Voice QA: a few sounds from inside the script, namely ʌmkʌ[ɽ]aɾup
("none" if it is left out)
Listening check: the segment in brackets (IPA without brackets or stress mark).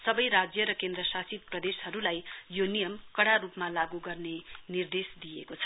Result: ɽ